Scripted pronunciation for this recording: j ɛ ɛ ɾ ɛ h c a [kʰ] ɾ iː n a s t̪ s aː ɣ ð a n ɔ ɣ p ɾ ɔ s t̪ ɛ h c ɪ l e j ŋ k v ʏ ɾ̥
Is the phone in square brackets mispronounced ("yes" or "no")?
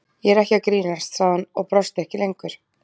yes